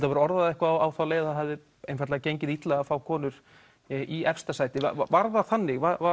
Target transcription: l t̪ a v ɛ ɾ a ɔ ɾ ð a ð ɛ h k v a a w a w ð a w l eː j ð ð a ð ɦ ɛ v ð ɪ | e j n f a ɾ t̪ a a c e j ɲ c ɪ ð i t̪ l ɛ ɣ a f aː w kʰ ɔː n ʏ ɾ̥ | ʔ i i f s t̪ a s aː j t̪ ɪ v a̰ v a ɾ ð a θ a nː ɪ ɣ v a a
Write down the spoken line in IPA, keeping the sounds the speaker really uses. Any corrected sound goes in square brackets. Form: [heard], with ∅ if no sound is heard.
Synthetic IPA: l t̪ a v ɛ ɾ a ɔ ɾ ð a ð ɛ h k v a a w a w [θ] a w l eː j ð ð a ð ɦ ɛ v ð ɪ | e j n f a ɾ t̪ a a c e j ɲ c ɪ ð i t̪ l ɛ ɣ a f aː w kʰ ɔː n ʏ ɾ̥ | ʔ i [ɛ] f s t̪ a s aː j t̪ ɪ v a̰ v a ɾ ð a θ a nː ɪ ɣ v a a